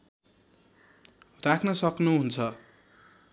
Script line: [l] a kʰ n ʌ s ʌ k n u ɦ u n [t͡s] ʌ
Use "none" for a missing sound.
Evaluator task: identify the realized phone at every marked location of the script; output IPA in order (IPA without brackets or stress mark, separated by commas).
r, t͡sʰ